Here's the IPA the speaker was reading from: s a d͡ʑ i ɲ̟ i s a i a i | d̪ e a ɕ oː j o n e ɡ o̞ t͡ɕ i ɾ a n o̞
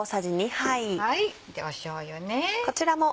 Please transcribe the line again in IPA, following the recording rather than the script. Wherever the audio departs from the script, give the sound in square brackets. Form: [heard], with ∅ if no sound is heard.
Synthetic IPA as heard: s a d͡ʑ i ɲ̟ i [h] a i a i | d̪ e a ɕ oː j o n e [k] o̞ t͡ɕ i ɾ a [m] o̞

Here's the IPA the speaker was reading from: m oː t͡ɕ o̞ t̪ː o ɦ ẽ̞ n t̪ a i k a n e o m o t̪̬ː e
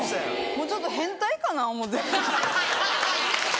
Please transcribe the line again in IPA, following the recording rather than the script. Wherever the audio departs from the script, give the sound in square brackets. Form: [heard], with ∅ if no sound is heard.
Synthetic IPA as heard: m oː t͡ɕ o̞ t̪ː o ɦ ẽ̞ n t̪ a i k a n [a] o m o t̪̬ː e

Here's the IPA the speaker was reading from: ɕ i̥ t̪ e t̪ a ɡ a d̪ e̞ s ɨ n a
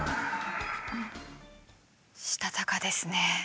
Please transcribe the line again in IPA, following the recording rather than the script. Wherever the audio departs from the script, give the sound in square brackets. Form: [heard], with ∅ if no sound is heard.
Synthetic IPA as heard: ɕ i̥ t̪ [a] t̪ a [k] a d̪ e̞ s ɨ n [e]

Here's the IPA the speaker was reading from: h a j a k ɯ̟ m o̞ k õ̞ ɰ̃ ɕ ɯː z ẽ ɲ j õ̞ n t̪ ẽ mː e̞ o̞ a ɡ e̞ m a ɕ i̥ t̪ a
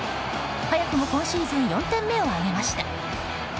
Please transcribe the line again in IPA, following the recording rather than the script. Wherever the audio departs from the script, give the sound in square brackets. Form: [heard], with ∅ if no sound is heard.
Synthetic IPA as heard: h a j a k ɯ̟ m o̞ k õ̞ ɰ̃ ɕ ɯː z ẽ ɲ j õ̞ n t̪ ẽ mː e̞ o̞ a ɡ e̞ m a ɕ i̥ t̪ a

